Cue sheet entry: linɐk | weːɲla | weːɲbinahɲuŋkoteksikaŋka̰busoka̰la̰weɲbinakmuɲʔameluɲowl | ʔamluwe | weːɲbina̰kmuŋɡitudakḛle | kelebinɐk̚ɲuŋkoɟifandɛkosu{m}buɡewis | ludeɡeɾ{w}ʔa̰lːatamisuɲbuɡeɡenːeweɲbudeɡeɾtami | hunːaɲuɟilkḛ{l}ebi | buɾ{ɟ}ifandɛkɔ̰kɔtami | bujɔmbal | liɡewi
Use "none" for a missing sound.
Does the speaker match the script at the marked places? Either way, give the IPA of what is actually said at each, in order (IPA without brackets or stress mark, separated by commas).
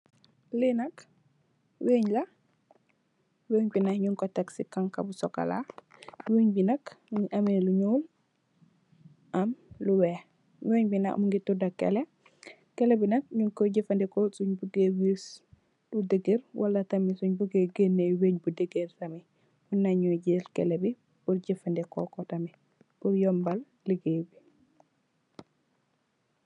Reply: ɲ, w, l, ɟ